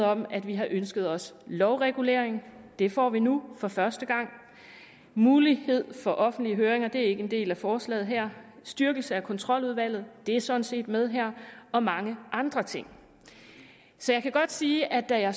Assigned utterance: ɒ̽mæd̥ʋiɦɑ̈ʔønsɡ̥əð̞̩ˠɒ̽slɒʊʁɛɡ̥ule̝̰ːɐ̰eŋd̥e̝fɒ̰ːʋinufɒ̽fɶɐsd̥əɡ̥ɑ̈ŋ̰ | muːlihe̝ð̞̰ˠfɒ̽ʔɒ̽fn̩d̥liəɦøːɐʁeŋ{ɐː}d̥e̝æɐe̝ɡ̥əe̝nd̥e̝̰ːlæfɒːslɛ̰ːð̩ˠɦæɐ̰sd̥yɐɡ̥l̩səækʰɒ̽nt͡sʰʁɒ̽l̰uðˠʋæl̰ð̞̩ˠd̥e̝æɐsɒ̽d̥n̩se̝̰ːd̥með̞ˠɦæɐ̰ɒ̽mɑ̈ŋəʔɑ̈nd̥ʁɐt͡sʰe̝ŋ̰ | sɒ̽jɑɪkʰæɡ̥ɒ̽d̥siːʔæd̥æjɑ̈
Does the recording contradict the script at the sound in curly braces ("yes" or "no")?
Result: yes